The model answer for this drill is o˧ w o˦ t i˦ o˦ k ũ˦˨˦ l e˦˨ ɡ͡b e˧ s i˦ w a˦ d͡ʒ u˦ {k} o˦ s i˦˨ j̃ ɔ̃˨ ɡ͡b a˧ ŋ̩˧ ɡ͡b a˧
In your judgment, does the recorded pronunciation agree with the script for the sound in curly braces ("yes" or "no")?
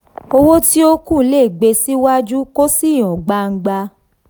yes